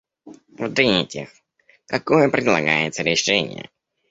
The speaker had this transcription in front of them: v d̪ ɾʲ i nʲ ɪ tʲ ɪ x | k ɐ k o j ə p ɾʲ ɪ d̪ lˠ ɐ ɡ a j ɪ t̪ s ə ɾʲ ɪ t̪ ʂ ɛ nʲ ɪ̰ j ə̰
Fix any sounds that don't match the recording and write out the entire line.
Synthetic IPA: v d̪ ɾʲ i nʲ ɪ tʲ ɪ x | k ɐ k o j ə p ɾʲ ɪ d̪ lˠ ɐ ɡ a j ɪ t̪ s ə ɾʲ ɪ ʂ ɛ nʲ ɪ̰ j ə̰